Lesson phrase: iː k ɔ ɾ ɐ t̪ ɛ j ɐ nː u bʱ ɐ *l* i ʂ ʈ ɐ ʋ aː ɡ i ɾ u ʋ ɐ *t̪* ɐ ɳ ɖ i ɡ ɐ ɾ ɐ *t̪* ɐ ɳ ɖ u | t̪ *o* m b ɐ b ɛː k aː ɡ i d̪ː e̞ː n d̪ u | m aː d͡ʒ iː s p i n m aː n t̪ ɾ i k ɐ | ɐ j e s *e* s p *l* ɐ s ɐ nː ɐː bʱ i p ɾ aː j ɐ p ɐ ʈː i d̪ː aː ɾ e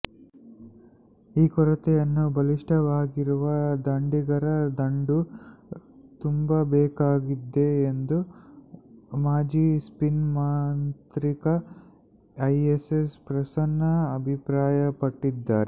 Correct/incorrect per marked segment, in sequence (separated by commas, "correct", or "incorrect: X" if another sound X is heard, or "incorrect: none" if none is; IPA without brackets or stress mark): correct, incorrect: d̪, incorrect: d̪, incorrect: u, correct, incorrect: ɾ